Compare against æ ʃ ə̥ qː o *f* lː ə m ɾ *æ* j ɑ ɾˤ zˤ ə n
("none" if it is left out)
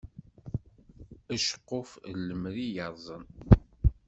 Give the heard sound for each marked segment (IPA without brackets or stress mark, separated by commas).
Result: f, i